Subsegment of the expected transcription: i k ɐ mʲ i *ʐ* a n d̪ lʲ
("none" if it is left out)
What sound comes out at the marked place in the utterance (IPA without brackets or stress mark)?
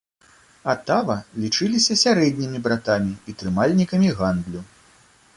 ɣ